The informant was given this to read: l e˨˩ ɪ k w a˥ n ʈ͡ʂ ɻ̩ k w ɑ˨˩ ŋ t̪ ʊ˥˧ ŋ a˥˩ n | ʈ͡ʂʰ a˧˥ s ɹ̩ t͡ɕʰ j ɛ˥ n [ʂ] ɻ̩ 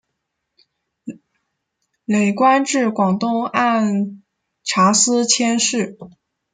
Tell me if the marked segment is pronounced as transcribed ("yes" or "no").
yes